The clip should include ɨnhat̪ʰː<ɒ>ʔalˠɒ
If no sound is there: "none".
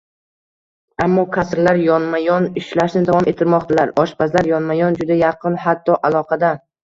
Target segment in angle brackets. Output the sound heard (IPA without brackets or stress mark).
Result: ɒ